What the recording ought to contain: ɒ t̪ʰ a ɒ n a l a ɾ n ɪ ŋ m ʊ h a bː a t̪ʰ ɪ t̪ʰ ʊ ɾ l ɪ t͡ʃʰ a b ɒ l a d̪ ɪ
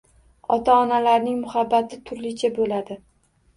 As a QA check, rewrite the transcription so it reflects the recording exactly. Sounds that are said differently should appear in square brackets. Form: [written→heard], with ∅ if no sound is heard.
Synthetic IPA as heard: ɒ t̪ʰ a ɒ n a l a ɾ n ɪ ŋ m ʊ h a bː a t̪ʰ ɪ t̪ʰ ʊ ɾ l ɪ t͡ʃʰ a b [ɒ→o] l a d̪ ɪ